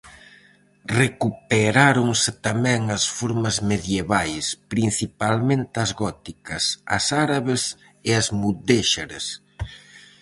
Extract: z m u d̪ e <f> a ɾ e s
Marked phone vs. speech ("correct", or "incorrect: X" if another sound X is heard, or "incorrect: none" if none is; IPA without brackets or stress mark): incorrect: ʃ